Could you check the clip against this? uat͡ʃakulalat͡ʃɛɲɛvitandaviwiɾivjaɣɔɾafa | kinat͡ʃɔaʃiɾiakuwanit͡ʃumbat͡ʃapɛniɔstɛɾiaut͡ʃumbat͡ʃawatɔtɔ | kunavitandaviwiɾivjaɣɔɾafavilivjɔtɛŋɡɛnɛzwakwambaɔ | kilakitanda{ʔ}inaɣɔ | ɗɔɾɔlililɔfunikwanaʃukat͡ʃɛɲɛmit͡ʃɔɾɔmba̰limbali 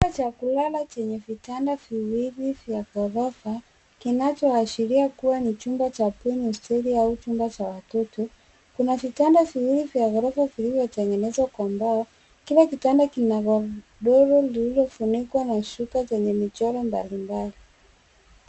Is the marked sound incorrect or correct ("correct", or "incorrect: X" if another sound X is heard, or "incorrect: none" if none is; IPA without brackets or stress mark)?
incorrect: k